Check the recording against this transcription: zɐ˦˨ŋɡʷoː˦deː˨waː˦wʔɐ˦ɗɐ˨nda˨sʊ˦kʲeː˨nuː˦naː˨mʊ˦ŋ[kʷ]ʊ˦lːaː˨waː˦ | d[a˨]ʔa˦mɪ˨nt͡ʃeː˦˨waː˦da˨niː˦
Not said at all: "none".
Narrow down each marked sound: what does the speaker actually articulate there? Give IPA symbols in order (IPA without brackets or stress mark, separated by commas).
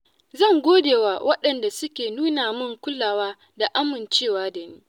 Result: kʷ, a˨